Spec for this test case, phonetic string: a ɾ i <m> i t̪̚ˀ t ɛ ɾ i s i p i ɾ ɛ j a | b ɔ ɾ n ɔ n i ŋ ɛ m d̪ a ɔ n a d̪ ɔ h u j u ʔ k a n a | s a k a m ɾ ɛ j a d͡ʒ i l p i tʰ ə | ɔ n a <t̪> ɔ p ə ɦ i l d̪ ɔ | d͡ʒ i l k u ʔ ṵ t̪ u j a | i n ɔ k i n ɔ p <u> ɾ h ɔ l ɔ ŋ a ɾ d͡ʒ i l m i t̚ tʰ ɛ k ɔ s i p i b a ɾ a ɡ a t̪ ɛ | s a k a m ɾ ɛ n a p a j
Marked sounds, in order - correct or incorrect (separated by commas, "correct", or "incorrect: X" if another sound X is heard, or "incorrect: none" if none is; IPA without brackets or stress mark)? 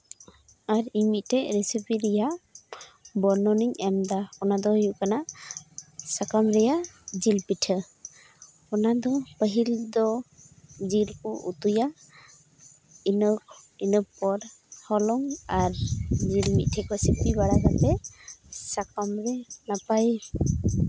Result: correct, incorrect: d̪, incorrect: ɔ